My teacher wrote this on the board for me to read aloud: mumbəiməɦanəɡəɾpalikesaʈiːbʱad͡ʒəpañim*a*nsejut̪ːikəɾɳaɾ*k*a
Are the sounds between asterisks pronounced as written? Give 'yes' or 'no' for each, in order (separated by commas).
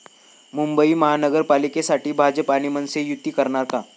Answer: no, yes